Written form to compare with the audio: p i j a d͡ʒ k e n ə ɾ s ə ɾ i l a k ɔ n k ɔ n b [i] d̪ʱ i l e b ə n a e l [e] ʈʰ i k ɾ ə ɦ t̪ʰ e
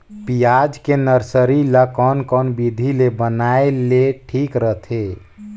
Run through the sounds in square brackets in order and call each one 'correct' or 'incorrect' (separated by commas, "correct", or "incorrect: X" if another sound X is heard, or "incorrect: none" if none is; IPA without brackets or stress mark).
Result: correct, correct